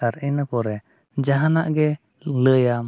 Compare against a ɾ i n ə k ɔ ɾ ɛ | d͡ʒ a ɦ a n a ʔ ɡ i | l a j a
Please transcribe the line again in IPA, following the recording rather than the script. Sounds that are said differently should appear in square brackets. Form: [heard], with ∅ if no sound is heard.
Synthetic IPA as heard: a ɾ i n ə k ɔ ɾ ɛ | d͡ʒ a ɦ a n a ʔ ɡ [ɛ] | l [ə] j a